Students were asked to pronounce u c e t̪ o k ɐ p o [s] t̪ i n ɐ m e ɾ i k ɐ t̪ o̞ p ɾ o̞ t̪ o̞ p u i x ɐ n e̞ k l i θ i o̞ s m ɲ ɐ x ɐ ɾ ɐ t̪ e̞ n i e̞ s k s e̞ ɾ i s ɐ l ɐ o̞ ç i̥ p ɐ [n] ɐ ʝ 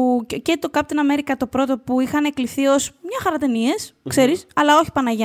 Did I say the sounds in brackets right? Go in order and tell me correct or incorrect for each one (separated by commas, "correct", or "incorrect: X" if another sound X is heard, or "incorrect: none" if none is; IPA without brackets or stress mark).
incorrect: none, correct